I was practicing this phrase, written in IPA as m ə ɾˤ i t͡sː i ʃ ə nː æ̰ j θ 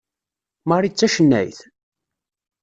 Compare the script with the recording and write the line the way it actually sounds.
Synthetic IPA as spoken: m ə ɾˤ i t͡sː æ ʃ ə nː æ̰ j θ